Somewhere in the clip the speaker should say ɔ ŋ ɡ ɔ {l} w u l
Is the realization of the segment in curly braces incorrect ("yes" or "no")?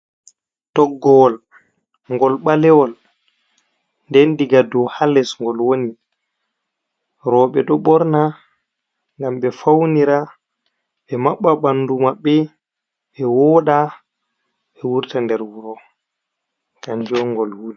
no